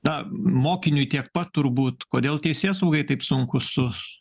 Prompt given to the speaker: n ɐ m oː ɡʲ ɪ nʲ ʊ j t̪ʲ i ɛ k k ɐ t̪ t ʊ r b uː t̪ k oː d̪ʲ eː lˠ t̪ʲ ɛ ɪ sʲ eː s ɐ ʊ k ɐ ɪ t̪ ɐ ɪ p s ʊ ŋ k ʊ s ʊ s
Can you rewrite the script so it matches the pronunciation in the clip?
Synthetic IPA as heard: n ɐ m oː kʲ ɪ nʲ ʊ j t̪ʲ i ɛ k p ɐ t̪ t ʊ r b uː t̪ k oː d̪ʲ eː lˠ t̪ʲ ɛ ɪ sʲ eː s ɐ ʊ ɡ ɐ ɪ t̪ ɐ ɪ p s ʊ ŋ k ʊ s ʊ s